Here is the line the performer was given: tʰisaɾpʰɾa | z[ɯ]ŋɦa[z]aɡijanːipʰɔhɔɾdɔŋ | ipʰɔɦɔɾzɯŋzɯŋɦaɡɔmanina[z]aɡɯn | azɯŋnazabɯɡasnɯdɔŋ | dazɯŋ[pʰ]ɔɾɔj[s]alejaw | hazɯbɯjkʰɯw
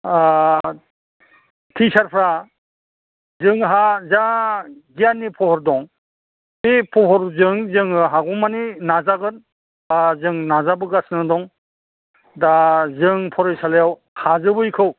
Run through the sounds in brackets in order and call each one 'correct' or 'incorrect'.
correct, correct, correct, correct, correct

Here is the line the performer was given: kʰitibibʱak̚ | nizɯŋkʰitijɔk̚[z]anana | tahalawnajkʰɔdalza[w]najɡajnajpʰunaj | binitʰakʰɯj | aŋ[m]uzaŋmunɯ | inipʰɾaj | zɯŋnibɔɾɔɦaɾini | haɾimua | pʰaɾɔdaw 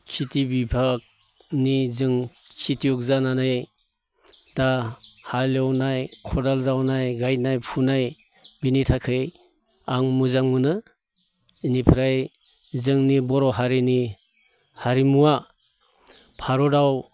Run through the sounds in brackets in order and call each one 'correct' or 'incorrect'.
correct, correct, correct

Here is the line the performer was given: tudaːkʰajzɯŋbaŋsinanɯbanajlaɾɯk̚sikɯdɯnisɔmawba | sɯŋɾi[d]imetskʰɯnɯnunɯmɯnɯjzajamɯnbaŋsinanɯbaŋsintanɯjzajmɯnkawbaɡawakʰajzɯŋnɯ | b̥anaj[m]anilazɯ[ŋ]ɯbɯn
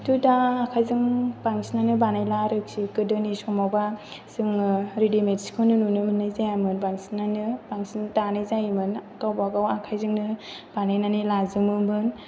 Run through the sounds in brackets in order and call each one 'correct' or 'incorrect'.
correct, incorrect: n, incorrect: m

